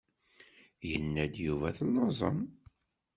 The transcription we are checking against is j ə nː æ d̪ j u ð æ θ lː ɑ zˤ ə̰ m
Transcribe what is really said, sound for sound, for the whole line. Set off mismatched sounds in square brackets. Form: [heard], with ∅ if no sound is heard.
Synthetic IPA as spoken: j ə nː æ d̪ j u [v] æ θ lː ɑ zˤ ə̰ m